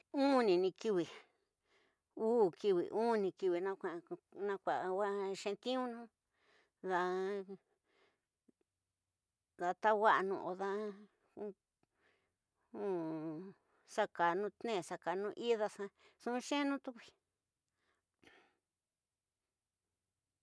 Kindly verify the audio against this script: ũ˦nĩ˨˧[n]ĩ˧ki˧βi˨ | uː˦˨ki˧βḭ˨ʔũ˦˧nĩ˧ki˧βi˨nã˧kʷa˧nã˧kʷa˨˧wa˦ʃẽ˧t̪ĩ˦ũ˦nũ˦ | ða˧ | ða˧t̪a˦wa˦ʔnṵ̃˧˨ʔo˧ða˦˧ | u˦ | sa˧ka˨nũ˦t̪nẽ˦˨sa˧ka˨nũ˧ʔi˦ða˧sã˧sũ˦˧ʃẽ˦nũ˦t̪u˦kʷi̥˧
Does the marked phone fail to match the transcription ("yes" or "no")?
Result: no